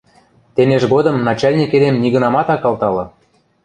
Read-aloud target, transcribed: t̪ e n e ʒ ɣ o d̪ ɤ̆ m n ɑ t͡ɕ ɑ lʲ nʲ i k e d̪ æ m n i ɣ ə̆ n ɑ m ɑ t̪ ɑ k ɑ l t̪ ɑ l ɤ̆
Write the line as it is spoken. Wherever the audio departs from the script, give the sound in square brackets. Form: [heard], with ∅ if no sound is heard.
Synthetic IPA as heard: t̪ e n e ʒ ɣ o d̪ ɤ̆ m n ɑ t͡ɕ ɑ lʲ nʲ i k e d̪ [e] m n i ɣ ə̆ n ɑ m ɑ t̪ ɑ k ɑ l t̪ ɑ l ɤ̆